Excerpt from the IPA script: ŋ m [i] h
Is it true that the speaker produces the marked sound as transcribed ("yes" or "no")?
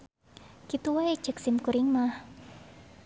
no